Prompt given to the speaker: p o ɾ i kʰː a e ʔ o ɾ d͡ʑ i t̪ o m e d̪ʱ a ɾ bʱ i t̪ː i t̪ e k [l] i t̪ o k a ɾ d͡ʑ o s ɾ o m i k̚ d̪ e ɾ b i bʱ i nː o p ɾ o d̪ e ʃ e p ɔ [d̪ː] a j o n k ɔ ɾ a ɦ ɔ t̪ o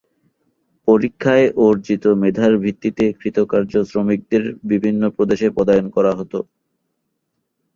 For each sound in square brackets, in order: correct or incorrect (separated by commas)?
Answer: incorrect, incorrect